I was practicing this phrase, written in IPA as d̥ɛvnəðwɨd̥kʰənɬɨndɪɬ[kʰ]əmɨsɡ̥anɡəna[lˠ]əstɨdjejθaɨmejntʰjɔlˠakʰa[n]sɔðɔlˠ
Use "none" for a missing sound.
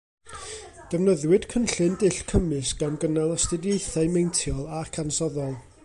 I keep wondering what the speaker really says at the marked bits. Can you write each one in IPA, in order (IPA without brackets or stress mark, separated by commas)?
kʰ, lˠ, n